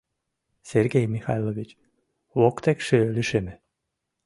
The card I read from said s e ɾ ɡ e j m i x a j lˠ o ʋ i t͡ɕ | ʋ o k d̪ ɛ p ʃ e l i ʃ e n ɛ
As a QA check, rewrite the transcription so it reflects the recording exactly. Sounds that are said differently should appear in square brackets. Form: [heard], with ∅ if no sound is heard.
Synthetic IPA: s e ɾ ɡ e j m i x a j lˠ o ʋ i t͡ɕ | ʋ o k [t̪] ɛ [k] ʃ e l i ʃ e [m] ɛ